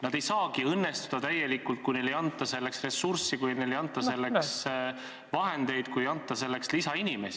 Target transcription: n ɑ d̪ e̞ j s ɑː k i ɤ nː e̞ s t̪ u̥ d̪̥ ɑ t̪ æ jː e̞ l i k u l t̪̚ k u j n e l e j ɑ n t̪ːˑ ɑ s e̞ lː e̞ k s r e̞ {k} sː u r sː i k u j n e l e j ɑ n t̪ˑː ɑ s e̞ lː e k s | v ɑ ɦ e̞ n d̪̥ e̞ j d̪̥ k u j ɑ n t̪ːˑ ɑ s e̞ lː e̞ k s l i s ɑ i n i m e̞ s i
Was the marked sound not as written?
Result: yes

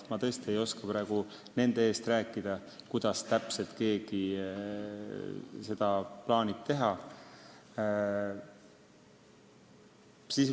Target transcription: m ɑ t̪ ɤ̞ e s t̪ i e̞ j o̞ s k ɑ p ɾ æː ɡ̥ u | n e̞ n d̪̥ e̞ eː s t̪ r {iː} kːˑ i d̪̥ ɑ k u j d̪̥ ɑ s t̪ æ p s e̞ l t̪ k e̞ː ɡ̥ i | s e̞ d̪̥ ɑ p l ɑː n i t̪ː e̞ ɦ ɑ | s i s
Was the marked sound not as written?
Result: yes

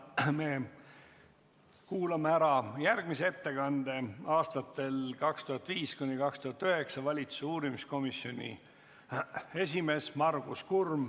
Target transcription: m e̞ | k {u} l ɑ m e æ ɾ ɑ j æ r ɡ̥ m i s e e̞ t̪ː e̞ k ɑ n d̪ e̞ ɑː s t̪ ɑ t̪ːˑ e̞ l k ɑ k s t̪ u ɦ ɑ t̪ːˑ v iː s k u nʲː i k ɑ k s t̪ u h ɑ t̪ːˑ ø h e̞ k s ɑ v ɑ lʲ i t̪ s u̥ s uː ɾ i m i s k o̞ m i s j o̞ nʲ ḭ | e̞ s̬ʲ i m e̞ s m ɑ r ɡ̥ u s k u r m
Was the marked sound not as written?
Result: yes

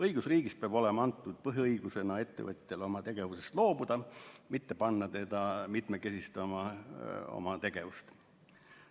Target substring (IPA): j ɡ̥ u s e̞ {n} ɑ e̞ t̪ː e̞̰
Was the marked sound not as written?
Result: no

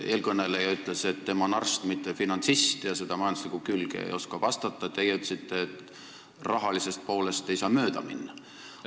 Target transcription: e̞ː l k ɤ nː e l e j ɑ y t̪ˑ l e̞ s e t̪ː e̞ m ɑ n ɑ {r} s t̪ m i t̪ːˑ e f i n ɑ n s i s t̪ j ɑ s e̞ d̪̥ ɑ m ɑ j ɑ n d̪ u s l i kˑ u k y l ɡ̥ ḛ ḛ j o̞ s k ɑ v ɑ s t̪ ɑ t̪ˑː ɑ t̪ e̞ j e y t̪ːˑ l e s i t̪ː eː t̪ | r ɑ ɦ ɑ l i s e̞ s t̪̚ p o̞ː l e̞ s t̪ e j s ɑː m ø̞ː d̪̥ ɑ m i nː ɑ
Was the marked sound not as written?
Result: no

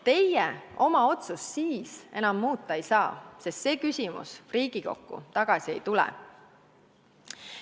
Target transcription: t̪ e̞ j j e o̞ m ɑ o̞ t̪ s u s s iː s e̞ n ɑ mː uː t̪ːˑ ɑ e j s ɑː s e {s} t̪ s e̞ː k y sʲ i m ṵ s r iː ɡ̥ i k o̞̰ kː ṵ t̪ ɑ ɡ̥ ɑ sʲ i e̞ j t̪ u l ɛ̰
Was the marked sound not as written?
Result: no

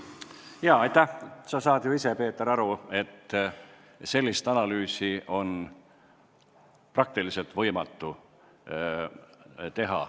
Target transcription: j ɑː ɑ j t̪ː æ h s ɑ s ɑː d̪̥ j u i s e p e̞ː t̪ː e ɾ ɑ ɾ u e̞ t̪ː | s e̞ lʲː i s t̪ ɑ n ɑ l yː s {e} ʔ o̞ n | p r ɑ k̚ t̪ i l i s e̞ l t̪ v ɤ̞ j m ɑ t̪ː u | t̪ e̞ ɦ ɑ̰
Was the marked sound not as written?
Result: yes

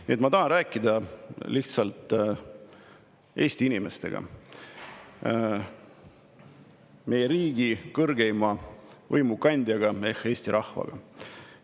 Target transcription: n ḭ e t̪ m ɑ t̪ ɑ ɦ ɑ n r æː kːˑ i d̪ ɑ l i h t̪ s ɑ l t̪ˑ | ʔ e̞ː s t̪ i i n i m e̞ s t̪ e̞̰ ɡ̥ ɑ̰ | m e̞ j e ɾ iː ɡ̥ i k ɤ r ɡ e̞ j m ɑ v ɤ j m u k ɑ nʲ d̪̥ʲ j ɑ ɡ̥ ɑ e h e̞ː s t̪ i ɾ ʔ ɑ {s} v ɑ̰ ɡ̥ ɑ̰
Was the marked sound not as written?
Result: yes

